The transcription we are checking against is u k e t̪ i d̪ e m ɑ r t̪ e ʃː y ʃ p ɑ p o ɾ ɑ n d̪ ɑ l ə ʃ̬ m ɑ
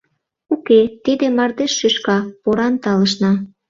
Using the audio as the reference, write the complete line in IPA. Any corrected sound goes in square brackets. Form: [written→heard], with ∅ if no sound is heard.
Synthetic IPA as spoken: u k e t̪ i d̪ e m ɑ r [t̪→d̪] e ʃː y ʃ [p→k] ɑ p o ɾ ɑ n [d̪→t̪] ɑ l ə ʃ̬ [m→n] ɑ